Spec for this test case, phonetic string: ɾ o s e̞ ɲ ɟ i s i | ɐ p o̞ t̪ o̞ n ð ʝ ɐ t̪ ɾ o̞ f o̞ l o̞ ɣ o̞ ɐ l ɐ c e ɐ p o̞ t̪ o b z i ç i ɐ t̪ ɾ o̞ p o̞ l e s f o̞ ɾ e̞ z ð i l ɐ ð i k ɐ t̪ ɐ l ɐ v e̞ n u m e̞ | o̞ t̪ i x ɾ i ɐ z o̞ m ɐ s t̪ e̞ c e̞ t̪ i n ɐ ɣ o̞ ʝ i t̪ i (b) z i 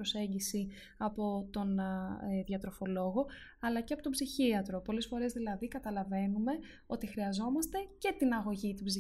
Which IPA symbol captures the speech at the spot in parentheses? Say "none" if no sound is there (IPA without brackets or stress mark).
b